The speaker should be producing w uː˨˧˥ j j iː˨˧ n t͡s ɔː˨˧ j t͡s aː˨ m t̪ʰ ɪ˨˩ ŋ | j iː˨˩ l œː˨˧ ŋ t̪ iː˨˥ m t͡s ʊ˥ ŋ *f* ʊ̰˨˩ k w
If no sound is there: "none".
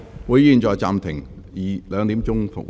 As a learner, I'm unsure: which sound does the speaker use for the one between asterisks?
f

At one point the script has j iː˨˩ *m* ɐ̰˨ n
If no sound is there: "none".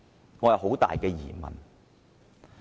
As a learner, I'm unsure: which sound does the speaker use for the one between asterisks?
m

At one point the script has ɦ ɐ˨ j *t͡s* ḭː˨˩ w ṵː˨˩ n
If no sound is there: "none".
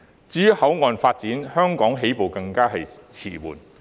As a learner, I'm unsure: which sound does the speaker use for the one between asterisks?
t͡sʰ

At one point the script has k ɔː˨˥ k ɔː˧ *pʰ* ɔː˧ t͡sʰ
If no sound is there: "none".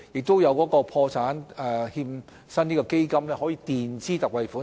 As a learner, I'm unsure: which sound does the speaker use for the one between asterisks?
pʰ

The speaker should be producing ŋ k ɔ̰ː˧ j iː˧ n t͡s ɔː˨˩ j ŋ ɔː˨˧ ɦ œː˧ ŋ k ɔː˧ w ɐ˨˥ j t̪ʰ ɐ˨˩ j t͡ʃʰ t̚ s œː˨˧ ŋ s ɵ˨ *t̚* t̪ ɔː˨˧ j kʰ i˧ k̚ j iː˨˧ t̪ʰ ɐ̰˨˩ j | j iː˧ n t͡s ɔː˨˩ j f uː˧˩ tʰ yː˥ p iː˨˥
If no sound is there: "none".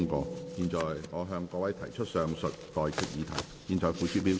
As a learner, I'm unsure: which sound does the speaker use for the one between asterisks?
t̚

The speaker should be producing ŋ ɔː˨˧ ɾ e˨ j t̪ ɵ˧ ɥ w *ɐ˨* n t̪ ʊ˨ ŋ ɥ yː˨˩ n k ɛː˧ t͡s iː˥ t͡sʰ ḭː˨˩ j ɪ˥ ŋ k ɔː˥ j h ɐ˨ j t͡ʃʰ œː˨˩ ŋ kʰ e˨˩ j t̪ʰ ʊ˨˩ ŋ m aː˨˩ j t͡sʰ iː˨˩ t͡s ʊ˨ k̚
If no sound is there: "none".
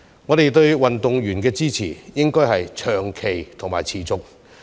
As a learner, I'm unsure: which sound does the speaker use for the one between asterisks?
ɐ˨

